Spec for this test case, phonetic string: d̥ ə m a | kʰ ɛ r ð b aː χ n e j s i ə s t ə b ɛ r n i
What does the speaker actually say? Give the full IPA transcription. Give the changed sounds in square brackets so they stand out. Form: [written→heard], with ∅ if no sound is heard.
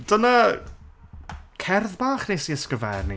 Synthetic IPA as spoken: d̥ ə [m→n] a | kʰ ɛ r ð b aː χ n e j s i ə s [t→k] ə [b→v] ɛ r n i